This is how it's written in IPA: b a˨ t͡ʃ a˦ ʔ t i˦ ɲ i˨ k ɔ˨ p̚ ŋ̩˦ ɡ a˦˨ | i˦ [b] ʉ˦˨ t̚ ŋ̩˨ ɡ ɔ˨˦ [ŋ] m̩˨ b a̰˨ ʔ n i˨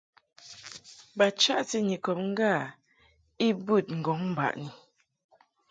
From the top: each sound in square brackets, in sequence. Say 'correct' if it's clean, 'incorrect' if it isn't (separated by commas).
correct, correct